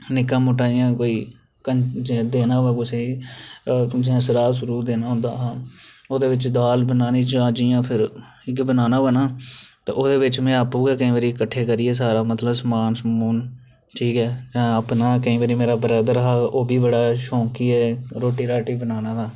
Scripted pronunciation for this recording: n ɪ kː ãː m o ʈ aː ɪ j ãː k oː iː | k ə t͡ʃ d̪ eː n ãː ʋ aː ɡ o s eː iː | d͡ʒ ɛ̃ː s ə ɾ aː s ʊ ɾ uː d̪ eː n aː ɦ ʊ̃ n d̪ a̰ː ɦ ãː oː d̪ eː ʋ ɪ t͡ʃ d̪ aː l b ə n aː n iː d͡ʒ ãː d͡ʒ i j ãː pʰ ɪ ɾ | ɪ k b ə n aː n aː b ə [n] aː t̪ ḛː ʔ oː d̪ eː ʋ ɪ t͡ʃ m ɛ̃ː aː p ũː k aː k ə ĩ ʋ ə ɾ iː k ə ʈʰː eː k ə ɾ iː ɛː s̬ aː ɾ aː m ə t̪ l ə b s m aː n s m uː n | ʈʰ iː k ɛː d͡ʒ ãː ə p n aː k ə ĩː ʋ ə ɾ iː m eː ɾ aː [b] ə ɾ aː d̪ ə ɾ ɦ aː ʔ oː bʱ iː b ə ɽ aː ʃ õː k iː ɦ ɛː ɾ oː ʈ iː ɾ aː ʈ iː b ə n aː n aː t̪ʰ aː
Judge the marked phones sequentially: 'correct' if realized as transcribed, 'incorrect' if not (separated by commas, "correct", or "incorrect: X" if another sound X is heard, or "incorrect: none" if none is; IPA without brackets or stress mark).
correct, correct